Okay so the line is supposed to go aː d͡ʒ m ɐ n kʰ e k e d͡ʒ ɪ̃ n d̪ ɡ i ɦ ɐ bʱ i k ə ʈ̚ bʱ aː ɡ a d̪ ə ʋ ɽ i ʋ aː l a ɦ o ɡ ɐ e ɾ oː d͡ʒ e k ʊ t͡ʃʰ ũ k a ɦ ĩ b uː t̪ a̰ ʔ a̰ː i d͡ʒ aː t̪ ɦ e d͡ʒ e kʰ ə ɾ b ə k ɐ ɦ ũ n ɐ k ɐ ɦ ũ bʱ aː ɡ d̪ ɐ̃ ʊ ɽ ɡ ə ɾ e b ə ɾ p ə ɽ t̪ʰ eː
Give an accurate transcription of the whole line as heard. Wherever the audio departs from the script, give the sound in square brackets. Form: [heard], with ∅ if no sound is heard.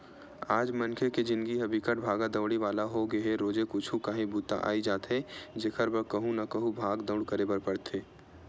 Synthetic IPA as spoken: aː d͡ʒ m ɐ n kʰ e k e d͡ʒ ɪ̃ n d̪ ɡ i ɦ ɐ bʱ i k ə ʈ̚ bʱ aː ɡ a d̪ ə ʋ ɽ i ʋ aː l a ɦ o ɡ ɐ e ɾ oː d͡ʒ e k ʊ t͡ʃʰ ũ k a ɦ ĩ b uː t̪ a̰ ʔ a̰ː i d͡ʒ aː t̪ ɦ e d͡ʒ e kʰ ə ɾ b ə k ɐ ɦ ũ n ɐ k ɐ ɦ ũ bʱ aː ɡ d̪ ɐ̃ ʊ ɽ [k] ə ɾ e b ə ɾ p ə ɽ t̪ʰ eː

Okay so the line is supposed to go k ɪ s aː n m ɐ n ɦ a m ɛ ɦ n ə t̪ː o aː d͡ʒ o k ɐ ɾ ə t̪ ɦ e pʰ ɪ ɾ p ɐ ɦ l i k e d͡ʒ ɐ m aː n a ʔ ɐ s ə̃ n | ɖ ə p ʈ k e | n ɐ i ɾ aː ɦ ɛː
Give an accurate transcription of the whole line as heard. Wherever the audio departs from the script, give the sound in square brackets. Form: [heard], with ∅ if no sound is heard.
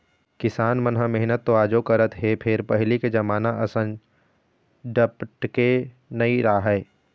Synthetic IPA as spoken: k ɪ s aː n m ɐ n ɦ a m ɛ ɦ n ə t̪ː o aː d͡ʒ o k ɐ ɾ ə t̪ ɦ e pʰ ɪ ɾ p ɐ ɦ l i k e d͡ʒ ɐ m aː n a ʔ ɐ s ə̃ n | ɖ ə p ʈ k e | n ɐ i ɾ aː ɦ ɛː

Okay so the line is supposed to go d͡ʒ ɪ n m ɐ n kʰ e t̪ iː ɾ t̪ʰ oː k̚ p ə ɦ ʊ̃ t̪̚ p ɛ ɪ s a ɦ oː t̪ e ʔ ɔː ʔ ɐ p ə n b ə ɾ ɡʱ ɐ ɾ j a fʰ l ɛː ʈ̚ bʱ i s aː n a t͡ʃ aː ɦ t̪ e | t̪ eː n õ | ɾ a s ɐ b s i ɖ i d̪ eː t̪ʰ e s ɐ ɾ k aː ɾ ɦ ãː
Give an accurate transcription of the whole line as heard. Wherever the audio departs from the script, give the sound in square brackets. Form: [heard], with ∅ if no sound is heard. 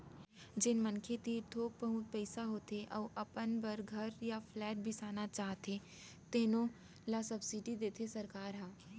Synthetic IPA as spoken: d͡ʒ ɪ n m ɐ n kʰ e t̪ iː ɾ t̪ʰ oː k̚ p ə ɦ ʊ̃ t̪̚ p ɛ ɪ s a ɦ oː t̪ e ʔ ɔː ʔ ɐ p ə n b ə ɾ ɡʱ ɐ ɾ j a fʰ l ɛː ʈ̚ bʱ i s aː n a t͡ʃ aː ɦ t̪ e | t̪ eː n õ | [l] a s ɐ b s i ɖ i d̪ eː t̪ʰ e s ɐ ɾ k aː ɾ ɦ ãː

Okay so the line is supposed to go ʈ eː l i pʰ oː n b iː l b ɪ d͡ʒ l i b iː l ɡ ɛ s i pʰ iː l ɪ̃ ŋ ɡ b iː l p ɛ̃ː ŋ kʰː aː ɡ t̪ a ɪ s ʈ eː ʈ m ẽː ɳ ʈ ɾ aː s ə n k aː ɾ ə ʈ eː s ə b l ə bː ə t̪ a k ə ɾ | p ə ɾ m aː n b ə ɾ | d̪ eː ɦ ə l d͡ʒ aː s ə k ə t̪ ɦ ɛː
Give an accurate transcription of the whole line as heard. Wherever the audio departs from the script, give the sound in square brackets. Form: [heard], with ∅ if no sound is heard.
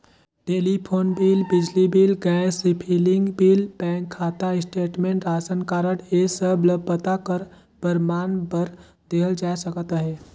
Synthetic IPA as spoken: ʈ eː l i pʰ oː n b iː l b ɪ d͡ʒ l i b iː l ɡ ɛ s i pʰ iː l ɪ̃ ŋ ɡ b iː l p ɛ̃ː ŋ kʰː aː [∅] t̪ a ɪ s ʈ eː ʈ m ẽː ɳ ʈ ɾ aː s ə n k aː ɾ ə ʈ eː s ə b l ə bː ə t̪ a k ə ɾ | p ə ɾ m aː n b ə ɾ | d̪ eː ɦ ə l d͡ʒ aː s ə k ə t̪ ɦ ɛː

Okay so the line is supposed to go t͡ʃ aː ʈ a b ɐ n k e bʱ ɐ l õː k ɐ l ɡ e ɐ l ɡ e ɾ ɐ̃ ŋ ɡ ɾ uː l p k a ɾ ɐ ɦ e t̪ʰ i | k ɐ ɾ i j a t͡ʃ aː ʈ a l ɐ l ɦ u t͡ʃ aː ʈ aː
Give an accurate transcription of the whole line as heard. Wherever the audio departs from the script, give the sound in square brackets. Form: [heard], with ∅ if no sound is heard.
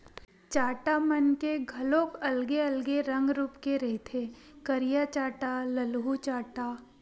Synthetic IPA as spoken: t͡ʃ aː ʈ a [m] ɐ n k e [ɡʱ] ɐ l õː k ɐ l ɡ e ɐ l ɡ e ɾ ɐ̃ ŋ ɡ ɾ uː [∅] p k [e] ɾ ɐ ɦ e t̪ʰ [e] | k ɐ ɾ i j a t͡ʃ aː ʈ a l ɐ l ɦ u t͡ʃ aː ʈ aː

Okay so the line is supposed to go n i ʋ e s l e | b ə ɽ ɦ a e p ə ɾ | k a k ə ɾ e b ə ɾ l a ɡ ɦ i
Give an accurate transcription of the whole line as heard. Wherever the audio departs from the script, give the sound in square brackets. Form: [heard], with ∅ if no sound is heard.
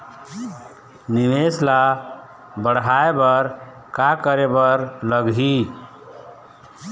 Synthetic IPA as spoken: n i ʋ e s l [a] | b ə ɽ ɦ a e [b] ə ɾ | k a k ə ɾ e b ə ɾ l [ə] ɡ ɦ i

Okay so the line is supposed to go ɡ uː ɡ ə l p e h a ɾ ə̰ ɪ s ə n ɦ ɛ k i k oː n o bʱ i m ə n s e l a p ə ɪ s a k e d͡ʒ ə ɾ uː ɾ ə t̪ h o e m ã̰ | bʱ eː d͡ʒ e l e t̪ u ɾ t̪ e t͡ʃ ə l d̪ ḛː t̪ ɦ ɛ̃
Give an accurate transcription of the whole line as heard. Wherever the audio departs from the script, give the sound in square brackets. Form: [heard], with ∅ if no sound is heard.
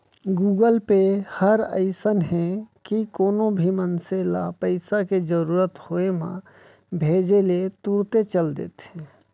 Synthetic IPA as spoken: ɡ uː ɡ ə l p e h [ə] ɾ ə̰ ɪ s ə n ɦ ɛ k i k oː n o bʱ i m ə n s e l a p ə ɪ s a k e d͡ʒ ə ɾ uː ɾ ə t̪ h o e m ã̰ | bʱ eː d͡ʒ e l e t̪ u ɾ t̪ e t͡ʃ ə l d̪ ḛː t̪ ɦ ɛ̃

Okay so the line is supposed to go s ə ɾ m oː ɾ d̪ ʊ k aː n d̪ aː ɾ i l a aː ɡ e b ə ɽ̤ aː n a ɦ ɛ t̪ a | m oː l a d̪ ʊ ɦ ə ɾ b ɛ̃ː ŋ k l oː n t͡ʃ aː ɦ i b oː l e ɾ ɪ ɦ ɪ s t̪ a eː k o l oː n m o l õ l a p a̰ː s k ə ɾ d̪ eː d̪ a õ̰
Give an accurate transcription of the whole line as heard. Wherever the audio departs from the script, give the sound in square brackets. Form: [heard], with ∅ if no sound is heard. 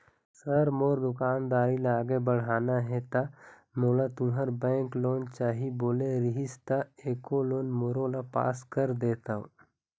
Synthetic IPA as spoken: s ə ɾ m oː ɾ d̪ ʊ k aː n d̪ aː ɾ i l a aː ɡ e b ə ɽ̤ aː n a ɦ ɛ t̪ a | m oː l a [t̪] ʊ ɦ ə ɾ b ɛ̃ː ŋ k l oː n t͡ʃ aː ɦ i b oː l e ɾ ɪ ɦ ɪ s t̪ a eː k o l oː n m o [ɾ] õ l a p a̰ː s k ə ɾ d̪ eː [t̪] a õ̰

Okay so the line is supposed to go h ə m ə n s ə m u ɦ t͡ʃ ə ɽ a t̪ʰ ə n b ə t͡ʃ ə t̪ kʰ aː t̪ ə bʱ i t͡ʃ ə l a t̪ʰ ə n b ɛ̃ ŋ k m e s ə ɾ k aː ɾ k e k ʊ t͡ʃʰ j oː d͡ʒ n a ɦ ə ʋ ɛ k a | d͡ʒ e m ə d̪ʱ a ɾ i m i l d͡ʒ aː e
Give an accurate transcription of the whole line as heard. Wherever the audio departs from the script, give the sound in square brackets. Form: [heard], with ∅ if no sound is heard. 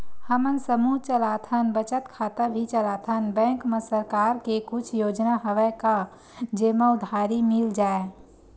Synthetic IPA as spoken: h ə m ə n s ə m u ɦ t͡ʃ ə [l] a t̪ʰ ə n b ə t͡ʃ ə t̪ kʰ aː t̪ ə bʱ i t͡ʃ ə l a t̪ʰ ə n b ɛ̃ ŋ k m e s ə ɾ k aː ɾ k e k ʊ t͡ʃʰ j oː d͡ʒ n a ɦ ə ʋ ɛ k a | d͡ʒ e m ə d̪ʱ a ɾ i m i l d͡ʒ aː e

